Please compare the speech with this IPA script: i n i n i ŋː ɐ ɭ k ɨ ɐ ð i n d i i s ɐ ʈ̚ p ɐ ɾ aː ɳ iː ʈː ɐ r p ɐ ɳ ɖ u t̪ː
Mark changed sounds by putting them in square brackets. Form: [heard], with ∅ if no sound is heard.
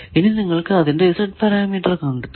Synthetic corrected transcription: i n i n i ŋː ɐ ɭ k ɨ ɐ ð i n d [e] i s ɐ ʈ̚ p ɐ ɾ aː [m] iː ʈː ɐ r [k] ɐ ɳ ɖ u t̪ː